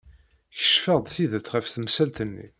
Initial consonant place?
palatal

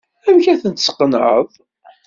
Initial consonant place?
labial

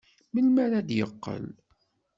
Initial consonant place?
labial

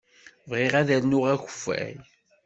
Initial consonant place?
labial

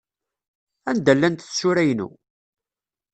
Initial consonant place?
alveolar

